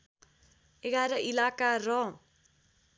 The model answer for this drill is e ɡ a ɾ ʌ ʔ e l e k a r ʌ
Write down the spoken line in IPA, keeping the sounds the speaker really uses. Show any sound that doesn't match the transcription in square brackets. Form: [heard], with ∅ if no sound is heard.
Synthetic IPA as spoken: e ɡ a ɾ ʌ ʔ [i] l [a] k a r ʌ